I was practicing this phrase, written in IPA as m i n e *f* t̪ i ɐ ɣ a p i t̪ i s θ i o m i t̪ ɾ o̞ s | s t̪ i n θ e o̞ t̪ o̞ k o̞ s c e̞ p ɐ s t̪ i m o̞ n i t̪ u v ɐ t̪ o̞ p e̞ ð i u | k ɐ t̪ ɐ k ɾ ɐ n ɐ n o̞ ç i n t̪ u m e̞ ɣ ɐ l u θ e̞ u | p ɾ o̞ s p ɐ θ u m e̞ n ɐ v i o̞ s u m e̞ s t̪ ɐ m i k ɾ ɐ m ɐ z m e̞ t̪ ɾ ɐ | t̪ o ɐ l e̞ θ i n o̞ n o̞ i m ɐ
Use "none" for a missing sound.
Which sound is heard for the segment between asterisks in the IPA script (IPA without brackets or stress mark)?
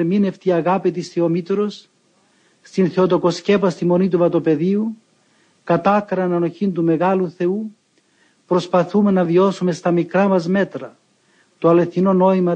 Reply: f